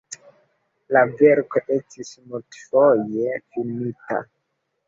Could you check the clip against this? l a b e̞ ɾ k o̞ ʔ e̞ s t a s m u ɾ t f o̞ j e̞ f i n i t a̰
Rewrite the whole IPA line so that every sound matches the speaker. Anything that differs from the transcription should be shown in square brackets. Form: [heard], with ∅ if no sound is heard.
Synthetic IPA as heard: l a [v] e̞ ɾ k o̞ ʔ e̞ s t [i] s m u [l] t f o̞ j e̞ f i n i t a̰

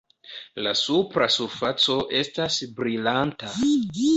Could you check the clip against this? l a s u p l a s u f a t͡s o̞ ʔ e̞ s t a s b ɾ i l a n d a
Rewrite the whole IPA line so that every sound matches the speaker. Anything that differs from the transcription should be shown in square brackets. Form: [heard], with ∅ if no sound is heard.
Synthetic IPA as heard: l a s u p [ɾ] a s u f a t͡s o̞ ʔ e̞ s t a s b ɾ i l a n [t] a

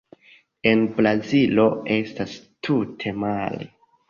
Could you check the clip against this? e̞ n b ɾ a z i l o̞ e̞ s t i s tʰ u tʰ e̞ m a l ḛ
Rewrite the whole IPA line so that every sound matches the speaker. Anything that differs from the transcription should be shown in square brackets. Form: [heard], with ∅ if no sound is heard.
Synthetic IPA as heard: e̞ n b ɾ a z i l o̞ e̞ s t [a] s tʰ u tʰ e̞ m a l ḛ

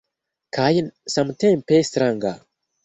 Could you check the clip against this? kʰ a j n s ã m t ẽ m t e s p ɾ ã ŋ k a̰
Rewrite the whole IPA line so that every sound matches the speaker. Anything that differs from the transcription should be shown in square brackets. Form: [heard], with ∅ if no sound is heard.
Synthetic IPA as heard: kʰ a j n s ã m t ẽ m [p] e s [t] ɾ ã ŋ [ɡ] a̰

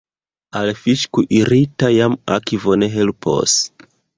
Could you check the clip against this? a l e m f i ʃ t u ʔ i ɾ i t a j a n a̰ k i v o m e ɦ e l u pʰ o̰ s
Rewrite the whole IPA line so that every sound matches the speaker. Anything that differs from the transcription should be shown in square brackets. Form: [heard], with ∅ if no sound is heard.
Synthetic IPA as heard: a l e [∅] f i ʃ [k] u ʔ i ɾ i t a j a [m] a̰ k i v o [n] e ɦ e l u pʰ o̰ s

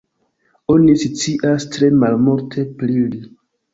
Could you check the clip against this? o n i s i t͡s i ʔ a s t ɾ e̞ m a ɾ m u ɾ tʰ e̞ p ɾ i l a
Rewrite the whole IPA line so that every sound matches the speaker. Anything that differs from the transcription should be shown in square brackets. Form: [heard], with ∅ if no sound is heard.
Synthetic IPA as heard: o n i s i t͡s i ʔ a s t ɾ e̞ m a [l] m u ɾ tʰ e̞ p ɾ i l [i]

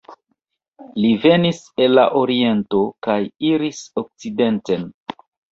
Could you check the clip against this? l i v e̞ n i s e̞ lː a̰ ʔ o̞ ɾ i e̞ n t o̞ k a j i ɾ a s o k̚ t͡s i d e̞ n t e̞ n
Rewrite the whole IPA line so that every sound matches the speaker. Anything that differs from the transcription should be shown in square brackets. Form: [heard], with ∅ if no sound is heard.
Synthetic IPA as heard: l i v e̞ n i s e̞ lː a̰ ʔ o̞ ɾ i e̞ n t o̞ k a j i ɾ [i] s o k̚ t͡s i d e̞ n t e̞ n

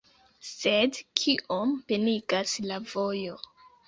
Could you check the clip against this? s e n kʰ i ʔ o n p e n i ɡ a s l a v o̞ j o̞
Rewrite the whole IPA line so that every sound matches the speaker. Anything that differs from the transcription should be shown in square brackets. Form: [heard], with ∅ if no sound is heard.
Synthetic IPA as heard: s e [d] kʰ i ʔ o [m] p e n i ɡ a s l a v o̞ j o̞

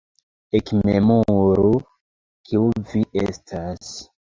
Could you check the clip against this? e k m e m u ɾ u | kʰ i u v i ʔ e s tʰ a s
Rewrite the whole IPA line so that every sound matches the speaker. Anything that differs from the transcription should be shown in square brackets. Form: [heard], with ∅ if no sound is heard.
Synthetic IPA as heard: e k m e m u ɾ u | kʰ i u v i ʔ e s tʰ a s

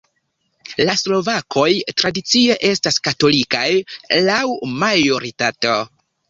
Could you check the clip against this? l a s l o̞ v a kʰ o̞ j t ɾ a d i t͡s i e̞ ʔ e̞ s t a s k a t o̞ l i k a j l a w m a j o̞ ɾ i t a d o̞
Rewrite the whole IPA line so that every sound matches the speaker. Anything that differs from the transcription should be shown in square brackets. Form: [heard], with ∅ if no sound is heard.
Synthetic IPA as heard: l a s l o̞ v a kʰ o̞ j t ɾ a d i t͡s i e̞ ʔ e̞ s t a s k a t o̞ l i k a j l a w m a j o̞ ɾ i t a [t] o̞

